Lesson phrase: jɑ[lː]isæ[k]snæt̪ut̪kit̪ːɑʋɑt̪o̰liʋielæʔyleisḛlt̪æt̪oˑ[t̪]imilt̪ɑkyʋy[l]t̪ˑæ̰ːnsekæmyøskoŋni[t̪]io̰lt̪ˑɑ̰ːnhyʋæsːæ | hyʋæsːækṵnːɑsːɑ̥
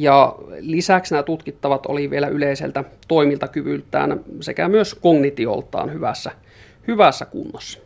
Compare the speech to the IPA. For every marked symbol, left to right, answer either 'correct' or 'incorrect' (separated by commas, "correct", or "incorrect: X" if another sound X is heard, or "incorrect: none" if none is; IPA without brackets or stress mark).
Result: incorrect: l, correct, incorrect: none, correct, correct